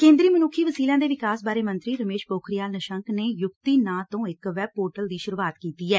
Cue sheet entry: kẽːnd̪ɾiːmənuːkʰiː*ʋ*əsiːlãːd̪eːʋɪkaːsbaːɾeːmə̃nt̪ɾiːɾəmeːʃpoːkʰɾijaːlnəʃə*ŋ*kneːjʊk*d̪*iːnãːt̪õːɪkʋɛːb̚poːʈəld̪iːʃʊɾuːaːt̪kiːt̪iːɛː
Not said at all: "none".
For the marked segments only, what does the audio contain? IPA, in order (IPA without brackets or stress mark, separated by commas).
ʋ, ŋ, t̪